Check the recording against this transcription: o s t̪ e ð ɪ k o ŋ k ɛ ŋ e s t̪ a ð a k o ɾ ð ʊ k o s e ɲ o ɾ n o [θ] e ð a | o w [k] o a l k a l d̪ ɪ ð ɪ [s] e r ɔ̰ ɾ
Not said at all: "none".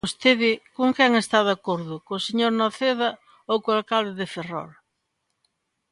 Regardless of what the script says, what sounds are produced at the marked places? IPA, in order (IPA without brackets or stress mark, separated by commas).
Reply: θ, k, f